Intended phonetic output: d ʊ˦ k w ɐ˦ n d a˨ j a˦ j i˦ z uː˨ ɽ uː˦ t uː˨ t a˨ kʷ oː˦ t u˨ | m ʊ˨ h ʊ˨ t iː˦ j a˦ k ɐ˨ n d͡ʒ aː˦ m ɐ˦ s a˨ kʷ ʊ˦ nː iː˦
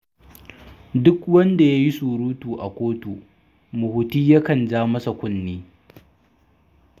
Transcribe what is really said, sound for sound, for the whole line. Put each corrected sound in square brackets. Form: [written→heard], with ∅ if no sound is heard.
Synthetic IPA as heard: d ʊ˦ k w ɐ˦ n d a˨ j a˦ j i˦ [z→s] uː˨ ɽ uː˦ t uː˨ [t→ʔ] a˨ kʷ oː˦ t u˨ | m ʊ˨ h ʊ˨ t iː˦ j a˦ k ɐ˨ n d͡ʒ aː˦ m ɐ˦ s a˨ kʷ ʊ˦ nː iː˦